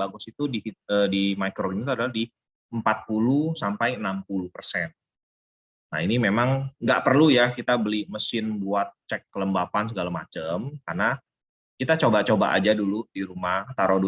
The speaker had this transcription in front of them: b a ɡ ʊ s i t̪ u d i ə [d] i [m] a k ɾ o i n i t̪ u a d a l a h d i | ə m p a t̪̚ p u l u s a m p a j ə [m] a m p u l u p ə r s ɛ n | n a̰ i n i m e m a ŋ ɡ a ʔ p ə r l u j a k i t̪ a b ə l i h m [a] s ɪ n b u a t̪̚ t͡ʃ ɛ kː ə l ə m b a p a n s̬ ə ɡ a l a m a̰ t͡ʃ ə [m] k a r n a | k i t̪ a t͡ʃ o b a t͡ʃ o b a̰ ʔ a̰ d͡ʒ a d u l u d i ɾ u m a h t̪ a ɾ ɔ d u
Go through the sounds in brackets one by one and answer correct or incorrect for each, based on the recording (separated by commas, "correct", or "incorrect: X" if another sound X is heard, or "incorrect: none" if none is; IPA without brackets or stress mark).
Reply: correct, correct, incorrect: n, incorrect: ə, correct